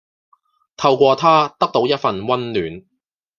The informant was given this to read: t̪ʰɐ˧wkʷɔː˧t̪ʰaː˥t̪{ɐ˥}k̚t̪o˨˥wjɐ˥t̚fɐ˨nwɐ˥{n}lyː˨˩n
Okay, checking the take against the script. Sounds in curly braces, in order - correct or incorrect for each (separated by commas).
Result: correct, correct